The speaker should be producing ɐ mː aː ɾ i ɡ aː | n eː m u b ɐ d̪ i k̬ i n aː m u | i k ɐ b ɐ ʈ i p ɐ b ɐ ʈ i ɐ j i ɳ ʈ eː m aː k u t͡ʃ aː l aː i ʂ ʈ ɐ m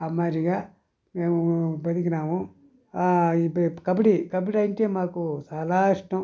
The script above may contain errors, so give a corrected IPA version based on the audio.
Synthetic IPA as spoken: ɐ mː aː ɾ i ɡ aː | m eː m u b ɐ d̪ i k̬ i n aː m u | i k ɐ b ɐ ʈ i k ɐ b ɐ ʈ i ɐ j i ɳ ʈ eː m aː k u t͡ʃ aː l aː i ʂ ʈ ɐ m

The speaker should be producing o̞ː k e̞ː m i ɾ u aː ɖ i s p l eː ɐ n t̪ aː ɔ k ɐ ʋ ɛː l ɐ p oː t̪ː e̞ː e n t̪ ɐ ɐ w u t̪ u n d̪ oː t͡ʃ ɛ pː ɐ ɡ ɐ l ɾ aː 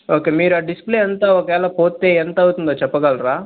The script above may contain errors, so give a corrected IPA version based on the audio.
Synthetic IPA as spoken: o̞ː k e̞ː m iː ɾ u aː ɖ i s p l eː ɐ n t̪ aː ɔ k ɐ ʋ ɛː l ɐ p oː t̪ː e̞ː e n t̪ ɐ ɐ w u t̪ u n d̪ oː t͡ʃ ɛ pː ɐ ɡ ɐ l ɾ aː

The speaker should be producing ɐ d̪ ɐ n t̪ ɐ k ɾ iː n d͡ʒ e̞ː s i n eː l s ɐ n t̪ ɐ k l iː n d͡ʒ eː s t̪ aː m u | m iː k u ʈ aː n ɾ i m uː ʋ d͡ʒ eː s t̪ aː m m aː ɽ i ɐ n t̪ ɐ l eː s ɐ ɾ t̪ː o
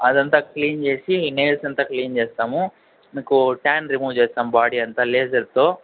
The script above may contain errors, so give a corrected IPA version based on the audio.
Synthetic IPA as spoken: ɐ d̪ ɐ n t̪ ɐ k l iː n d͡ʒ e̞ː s i n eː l s ɐ n t̪ ɐ k l iː n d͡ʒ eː s t̪ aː m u | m iː k u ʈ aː n ɾ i m uː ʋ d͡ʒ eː s t̪ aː m b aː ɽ i ɐ n t̪ ɐ l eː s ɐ ɾ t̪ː o

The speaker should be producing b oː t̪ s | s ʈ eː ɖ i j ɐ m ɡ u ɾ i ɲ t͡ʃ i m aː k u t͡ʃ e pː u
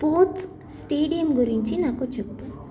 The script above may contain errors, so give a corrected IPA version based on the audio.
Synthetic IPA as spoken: p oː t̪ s | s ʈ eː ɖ i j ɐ m ɡ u ɾ i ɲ t͡ʃ i n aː k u t͡ʃ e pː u

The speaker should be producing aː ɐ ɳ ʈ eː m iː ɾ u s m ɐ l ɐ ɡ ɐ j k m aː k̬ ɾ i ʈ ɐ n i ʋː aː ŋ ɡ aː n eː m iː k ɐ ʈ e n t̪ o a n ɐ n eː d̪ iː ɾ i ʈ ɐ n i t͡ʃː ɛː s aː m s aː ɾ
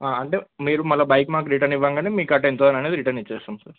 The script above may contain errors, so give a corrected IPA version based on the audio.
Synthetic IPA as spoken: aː ɐ ɳ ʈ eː m iː ɾ u m ɐ l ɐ b ɐ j k m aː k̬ ɾ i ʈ ɐ n i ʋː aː ŋ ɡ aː n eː m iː k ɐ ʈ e n t̪ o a n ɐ n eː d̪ i ɾ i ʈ ɐ n i t͡ʃː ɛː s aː m s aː ɾ

